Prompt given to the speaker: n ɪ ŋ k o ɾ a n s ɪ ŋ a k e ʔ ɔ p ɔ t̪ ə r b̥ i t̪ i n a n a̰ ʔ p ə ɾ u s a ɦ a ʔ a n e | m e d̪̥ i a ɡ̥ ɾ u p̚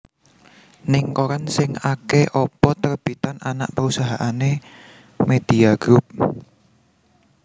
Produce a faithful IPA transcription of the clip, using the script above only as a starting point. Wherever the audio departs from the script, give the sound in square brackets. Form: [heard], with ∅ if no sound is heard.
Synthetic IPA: n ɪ ŋ k o ɾ a n s ɪ ŋ a k e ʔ ɔ p ɔ t̪ ə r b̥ i t̪ [a] n a n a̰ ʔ p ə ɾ u s a ɦ a ʔ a n e | m e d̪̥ i a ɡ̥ ɾ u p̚